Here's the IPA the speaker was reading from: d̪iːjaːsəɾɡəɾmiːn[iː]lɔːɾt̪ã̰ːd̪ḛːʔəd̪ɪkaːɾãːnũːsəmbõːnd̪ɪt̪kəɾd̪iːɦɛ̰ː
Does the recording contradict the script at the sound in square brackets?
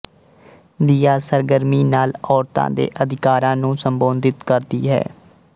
yes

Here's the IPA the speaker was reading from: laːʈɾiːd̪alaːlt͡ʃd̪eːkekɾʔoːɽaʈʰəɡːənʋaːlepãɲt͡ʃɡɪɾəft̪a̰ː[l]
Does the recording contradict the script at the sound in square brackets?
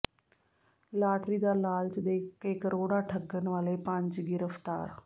yes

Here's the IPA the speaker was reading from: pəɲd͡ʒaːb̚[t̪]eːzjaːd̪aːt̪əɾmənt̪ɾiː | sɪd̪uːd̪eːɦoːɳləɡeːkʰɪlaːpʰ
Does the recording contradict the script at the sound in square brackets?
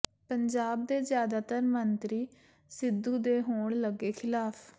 yes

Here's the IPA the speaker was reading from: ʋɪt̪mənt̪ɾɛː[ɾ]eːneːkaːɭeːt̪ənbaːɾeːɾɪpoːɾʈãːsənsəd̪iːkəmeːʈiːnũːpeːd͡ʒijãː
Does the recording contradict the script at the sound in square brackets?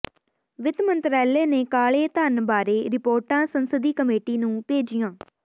yes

